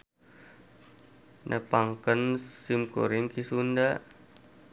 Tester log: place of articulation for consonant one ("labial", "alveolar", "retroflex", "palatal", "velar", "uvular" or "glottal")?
alveolar